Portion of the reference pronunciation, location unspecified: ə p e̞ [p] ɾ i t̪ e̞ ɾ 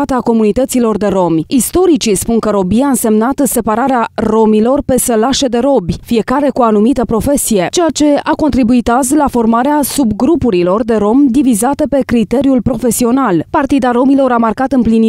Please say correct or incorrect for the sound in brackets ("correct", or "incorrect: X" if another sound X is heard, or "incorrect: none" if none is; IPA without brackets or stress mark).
incorrect: k